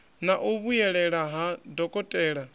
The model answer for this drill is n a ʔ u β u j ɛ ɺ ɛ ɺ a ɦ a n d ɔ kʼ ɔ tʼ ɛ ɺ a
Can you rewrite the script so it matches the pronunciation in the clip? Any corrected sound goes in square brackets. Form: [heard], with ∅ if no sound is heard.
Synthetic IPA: n a ʔ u β u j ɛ ɺ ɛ ɺ a ɦ a [∅] d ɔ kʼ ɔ tʼ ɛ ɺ a